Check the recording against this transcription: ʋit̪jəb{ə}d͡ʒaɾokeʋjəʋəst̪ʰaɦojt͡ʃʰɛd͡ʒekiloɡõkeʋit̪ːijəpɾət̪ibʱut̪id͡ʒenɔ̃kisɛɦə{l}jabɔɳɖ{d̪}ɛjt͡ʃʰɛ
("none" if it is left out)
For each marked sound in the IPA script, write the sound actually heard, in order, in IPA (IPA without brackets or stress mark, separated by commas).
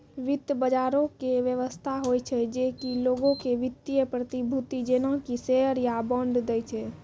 ə, ɾ, d̪